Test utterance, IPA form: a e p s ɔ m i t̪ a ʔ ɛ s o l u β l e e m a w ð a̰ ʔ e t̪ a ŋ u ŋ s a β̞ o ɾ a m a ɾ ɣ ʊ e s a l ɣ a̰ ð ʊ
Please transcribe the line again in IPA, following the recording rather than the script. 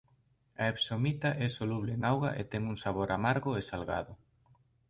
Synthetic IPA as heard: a e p s o m i t̪ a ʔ ɛ s o l u β l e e ŋ a w ɣ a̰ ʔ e t̪ ɛ ŋ u ŋ s a β̞ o ɾ a m a ɾ ɣ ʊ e s a l ɣ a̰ ð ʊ

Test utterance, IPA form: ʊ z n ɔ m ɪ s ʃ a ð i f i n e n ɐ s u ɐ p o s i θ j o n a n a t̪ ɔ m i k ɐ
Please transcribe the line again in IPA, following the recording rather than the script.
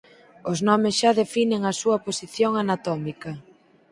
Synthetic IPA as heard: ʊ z n ɔ m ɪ s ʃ a ð e f i n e ŋ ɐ s u ɐ p o s i θ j o ŋ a n a t̪ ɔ m i k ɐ

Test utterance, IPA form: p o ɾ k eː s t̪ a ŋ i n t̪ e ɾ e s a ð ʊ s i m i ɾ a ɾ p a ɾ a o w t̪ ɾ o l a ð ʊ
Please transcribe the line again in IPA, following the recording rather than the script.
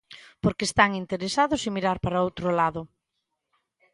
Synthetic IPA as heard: p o ɾ k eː s t̪ a ŋ i n t̪ e ɾ e s a ð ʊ s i m i ɾ a ɾ p a ɾ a o w t̪ ɾ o l a ð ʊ

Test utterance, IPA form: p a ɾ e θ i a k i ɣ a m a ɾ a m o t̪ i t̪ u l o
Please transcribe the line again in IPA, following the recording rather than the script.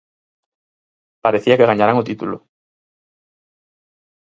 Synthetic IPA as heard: p a ɾ e θ i a k e ɣ a ɲ a ɾ a ŋ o t̪ i t̪ u l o

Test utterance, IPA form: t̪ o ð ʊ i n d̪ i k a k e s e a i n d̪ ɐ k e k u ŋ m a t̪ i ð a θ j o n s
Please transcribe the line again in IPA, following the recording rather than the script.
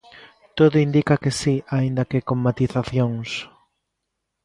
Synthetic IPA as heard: t̪ o ð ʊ i n d̪ i k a k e s i a i n d̪ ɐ k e k o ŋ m a t̪ i θ a θ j o ŋ s

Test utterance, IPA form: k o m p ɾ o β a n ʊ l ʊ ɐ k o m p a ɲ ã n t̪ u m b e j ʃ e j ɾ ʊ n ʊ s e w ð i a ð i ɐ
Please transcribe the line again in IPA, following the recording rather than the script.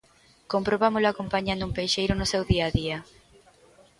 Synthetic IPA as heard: k o m p ɾ o β a m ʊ l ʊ a k o m p a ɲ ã n d̪ u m p e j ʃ e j ɾ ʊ n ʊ s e w ð i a ð i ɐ

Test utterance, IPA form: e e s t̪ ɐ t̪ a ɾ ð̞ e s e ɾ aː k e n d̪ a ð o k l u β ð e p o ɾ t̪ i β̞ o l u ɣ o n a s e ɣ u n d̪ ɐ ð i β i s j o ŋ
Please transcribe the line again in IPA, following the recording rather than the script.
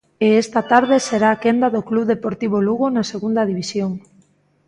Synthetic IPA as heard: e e s t̪ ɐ t̪ a ɾ ð̞ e s e ɾ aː k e n d̪ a ð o k l u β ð e p o ɾ t̪ i β̞ o l u ɣ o n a s e ɣ u n d̪ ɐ ð i β i s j o ŋ

